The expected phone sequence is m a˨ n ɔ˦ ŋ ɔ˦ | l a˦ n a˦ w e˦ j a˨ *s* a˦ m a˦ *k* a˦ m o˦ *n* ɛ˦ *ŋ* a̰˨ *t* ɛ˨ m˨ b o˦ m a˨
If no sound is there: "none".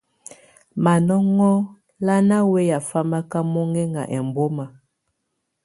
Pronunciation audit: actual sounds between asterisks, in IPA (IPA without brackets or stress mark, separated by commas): f, k, ŋ, ŋ, ʔ